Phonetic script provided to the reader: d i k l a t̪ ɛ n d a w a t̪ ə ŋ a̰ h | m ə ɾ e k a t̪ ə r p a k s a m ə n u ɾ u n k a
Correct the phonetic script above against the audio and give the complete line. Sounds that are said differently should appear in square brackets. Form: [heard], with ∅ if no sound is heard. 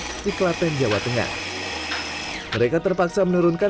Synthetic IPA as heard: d i k l a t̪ ɛ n [d͡ʒ] a w a t̪ ə ŋ a̰ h | m ə ɾ e k a t̪ ə r p a k s a m ə n u ɾ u n k a

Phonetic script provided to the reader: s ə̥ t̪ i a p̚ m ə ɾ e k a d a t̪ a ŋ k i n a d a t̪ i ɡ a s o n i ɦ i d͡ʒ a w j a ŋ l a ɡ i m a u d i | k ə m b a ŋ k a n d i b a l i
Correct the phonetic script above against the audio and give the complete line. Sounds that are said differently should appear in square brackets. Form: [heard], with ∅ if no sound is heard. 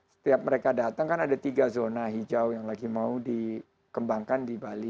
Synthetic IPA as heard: s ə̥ t̪ i a p̚ m ə ɾ e k a d a t̪ a ŋ k [a] n a d a t̪ i ɡ a [z] o n [a] ɦ i d͡ʒ a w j a ŋ l a ɡ i m a u d i | k ə m b a ŋ k a n d i b a l i

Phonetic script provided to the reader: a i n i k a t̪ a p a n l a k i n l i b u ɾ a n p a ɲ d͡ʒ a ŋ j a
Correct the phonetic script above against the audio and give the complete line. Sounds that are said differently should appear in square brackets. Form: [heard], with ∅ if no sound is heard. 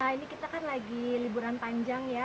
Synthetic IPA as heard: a i n i k [i] t̪ a [k] a n l a [ɡ] i [∅] l i b u ɾ a n p a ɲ d͡ʒ a ŋ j a

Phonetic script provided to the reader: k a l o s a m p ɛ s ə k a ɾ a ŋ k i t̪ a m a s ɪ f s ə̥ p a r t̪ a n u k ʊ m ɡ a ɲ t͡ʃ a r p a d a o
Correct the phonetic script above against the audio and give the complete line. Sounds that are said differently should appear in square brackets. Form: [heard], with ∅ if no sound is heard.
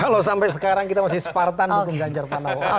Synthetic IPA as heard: k a l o s a m p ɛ s ə k a ɾ a ŋ k i t̪ a m a s ɪ [h] s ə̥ p a r t̪ a n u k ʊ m ɡ a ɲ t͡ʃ a r p a [n] a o

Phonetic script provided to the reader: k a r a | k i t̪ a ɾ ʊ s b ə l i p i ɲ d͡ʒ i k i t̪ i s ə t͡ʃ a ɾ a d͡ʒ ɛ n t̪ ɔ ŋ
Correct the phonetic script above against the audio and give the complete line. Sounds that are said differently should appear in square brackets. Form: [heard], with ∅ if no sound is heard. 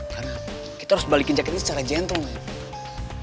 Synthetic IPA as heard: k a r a | k i t̪ a ɾ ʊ s b [a] l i [k] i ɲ d͡ʒ [a] k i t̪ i s ə t͡ʃ a ɾ a d͡ʒ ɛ n t̪ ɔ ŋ

